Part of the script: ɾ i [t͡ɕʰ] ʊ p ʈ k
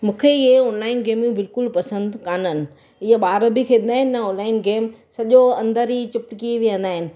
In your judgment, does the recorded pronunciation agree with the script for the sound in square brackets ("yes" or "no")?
no